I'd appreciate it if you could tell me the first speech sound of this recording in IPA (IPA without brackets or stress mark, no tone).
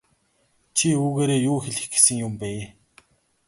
t͡ɕʰ